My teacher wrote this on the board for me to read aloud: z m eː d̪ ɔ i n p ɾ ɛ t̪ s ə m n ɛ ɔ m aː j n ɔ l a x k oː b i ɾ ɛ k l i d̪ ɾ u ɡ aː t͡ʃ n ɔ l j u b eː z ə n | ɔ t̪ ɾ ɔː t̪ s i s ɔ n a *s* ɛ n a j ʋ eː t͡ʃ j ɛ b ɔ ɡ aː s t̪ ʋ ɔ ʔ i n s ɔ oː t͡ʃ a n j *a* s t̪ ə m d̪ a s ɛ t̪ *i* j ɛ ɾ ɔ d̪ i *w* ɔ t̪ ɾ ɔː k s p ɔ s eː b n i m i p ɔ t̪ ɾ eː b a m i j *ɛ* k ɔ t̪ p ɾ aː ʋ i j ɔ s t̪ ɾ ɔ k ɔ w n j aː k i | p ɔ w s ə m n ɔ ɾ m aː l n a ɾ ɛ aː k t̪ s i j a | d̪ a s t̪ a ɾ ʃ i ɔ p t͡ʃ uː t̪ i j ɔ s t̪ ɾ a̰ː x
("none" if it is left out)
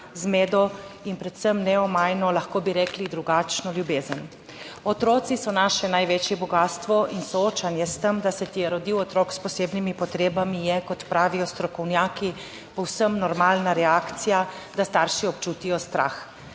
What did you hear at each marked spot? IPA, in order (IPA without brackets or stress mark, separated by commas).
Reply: ʃ, ɛ, i, w, ɛ